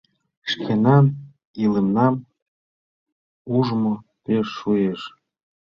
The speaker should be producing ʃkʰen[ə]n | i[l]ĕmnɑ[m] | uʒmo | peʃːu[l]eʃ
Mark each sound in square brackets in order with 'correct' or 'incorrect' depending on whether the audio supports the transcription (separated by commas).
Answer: incorrect, correct, correct, incorrect